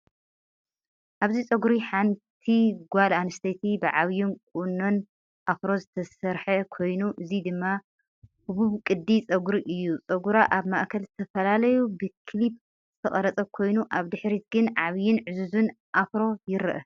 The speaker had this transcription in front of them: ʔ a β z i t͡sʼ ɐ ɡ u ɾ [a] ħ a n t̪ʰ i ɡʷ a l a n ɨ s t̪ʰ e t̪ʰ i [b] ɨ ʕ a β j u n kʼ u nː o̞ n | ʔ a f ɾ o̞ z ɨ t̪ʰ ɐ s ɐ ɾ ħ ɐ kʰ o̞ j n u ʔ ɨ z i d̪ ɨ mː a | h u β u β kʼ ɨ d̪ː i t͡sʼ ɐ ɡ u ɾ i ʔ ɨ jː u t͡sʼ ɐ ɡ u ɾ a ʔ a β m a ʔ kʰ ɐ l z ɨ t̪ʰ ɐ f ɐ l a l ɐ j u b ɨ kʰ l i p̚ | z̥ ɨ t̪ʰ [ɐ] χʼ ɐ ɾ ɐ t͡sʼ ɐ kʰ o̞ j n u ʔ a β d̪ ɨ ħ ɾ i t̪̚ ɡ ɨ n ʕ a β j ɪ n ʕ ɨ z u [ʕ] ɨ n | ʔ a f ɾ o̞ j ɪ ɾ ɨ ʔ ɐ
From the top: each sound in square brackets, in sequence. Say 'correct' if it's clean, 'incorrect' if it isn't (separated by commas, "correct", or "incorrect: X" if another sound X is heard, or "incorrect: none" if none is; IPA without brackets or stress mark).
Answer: incorrect: i, correct, correct, incorrect: z